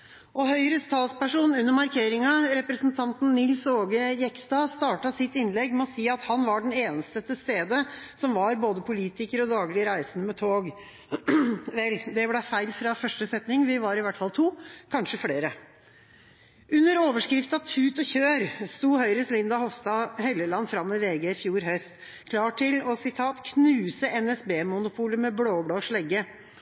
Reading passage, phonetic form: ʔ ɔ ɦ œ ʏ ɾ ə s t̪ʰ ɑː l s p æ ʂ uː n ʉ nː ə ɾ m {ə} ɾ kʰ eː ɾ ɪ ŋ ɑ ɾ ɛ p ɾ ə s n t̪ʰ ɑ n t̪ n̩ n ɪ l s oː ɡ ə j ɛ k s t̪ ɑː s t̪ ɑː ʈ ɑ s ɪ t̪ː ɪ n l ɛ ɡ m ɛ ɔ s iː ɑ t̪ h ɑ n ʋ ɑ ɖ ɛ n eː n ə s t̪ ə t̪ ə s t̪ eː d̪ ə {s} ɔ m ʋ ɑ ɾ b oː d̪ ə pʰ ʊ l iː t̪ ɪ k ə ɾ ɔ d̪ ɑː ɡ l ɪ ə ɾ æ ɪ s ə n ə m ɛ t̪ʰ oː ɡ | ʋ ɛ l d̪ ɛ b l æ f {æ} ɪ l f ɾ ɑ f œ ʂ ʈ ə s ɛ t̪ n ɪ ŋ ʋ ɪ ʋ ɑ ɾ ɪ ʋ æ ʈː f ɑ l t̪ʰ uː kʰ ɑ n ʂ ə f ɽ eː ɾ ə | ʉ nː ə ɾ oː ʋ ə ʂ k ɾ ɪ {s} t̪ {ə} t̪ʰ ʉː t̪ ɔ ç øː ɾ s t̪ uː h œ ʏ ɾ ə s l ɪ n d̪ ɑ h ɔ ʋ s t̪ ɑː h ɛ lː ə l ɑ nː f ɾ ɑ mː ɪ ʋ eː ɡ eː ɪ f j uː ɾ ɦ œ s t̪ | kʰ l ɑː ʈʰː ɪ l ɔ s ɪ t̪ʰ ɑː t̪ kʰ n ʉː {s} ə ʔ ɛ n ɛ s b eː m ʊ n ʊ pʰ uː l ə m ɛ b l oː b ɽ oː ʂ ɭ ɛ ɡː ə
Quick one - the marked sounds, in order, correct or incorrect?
incorrect, correct, correct, incorrect, incorrect, correct

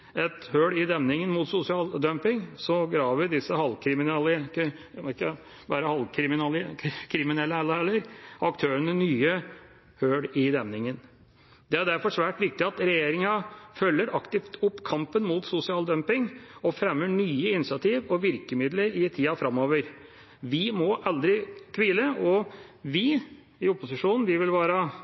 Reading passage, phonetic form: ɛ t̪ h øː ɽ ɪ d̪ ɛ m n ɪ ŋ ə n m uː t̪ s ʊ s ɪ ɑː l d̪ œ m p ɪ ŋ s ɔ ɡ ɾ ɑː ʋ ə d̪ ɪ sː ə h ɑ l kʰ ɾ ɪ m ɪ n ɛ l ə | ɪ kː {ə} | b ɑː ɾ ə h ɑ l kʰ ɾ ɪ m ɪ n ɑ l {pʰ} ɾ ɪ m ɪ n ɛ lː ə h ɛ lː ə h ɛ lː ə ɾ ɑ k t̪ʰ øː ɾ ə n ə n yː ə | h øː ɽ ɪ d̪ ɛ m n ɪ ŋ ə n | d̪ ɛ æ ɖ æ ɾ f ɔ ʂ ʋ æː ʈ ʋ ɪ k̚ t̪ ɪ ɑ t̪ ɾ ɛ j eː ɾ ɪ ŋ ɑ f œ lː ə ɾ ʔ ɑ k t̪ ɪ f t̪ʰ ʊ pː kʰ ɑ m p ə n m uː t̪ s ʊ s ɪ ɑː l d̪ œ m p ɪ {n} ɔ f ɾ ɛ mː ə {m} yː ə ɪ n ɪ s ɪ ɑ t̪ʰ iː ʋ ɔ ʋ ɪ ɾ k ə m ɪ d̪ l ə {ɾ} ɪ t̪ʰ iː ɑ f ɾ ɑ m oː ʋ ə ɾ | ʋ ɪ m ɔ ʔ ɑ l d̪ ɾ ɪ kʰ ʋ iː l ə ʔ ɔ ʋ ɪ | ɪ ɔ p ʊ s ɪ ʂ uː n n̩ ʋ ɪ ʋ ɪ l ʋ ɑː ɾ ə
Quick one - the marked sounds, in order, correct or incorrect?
correct, incorrect, incorrect, incorrect, correct

